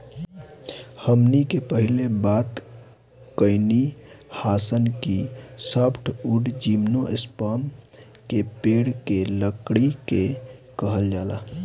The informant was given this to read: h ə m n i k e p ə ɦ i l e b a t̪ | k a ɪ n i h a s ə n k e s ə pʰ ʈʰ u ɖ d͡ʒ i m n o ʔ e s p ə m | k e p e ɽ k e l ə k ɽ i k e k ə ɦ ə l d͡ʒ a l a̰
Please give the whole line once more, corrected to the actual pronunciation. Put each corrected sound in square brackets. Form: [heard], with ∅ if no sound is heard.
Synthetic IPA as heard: h ə m n i k e p ə ɦ i l e b a t̪ | k [ə] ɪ n i h a s ə n k [i] s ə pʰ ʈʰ u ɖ d͡ʒ i m n o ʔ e s p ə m | k e p e ɽ k e l ə k ɽ i k e k ə ɦ ə l d͡ʒ a l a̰